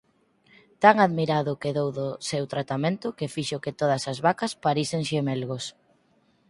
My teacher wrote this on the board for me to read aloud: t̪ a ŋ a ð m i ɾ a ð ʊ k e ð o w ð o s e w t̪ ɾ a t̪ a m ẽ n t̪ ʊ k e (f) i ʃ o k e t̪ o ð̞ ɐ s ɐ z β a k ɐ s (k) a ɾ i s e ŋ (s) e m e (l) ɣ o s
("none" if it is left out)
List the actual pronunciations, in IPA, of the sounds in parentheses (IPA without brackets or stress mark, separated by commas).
f, p, ʃ, l